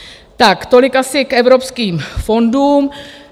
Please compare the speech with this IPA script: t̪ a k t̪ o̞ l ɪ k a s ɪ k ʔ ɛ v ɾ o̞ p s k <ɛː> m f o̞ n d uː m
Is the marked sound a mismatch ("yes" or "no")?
yes